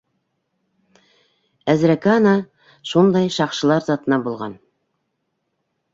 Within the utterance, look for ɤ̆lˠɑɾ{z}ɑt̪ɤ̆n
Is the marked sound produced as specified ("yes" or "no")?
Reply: yes